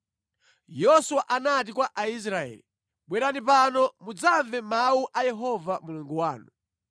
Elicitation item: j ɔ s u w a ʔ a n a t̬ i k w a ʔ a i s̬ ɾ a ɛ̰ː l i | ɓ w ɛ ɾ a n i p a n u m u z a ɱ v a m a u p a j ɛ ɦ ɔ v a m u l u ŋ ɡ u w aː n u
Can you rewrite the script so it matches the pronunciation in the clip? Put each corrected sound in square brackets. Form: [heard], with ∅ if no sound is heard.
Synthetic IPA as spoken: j ɔ s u w a ʔ a n a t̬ i k w a ʔ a i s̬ ɾ a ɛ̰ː l i | ɓ w ɛ ɾ a n i p a n [ɔ] m u [d͡z] a ɱ v [ɛ] m a u [ʔ] a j ɛ ɦ ɔ v a m u l u ŋ ɡ u w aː n u